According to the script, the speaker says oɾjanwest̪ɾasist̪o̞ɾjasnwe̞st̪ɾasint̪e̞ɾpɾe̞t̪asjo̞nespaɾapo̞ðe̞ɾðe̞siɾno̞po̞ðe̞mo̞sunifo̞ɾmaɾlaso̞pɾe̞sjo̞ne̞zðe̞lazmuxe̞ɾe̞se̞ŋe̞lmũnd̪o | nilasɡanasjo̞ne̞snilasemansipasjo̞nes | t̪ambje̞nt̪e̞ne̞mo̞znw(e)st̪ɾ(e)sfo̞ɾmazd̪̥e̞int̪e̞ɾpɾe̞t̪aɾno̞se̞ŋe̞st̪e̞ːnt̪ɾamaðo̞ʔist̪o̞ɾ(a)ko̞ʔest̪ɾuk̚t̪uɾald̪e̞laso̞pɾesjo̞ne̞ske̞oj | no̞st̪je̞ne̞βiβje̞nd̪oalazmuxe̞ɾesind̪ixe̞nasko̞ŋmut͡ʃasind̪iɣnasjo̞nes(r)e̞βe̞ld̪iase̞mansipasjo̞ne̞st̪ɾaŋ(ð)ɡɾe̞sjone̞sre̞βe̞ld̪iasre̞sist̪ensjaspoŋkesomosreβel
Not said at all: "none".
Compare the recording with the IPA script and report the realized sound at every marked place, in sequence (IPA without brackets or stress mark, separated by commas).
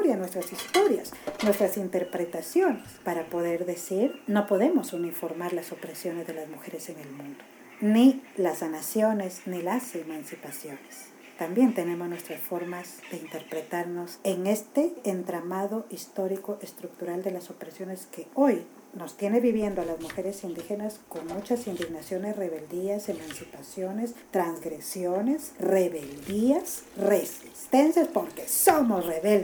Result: e, a, i, r, z